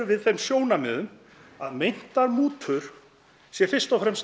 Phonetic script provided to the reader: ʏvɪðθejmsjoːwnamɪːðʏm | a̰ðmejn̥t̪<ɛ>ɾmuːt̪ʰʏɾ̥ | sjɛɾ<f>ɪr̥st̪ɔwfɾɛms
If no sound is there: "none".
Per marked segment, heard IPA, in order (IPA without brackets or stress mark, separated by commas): a, f